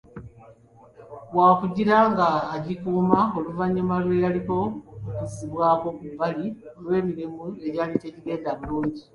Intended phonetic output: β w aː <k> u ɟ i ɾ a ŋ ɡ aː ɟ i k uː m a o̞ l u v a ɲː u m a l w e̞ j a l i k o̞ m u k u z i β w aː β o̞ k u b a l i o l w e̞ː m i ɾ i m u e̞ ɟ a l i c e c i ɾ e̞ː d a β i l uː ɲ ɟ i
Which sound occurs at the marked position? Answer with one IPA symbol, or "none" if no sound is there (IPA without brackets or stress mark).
k